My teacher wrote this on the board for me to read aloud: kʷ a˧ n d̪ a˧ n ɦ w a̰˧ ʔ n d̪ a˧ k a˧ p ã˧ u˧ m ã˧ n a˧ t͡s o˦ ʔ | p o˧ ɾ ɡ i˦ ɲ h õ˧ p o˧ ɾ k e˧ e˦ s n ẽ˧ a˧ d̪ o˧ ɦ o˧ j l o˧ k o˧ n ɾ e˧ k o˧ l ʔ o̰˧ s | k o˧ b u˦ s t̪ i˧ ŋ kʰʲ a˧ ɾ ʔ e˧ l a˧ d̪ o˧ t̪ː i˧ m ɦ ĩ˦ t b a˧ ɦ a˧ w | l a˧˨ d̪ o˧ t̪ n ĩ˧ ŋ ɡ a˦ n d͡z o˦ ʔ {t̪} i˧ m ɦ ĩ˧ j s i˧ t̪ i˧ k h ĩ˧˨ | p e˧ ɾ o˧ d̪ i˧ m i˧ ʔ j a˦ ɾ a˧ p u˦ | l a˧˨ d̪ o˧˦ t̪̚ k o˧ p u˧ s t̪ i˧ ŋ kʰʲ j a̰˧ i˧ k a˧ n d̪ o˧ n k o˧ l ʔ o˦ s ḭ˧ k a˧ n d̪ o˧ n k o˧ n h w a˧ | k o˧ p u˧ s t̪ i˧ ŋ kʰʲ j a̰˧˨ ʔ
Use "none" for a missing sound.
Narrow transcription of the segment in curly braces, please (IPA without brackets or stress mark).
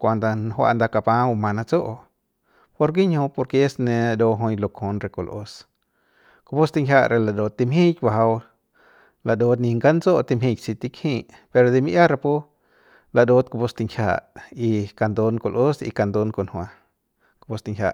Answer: t̪